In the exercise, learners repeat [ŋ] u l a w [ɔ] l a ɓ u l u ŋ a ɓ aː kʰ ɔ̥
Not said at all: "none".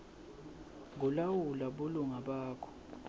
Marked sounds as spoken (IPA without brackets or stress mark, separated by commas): ŋ, u